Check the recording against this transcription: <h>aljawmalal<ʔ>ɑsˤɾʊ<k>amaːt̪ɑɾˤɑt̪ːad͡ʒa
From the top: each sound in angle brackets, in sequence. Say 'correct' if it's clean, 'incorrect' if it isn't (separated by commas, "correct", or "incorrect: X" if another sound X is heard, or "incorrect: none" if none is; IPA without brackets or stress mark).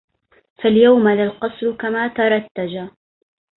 incorrect: f, incorrect: q, correct